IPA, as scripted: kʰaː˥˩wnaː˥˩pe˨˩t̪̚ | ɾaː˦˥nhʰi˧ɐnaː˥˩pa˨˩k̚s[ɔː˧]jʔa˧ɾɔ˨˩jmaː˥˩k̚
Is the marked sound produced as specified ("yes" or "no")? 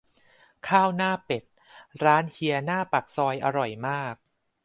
yes